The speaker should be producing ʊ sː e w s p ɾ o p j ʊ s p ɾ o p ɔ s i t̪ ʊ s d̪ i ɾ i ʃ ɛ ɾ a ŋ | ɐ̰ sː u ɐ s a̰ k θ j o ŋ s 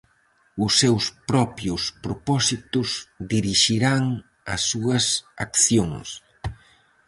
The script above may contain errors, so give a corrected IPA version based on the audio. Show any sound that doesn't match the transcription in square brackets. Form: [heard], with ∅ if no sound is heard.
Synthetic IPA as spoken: ʊ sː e w s p ɾ [ɔ] p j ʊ s p ɾ o p ɔ s i t̪ ʊ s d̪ i ɾ i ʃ [i] ɾ a ŋ | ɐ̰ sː u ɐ s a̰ k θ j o ŋ s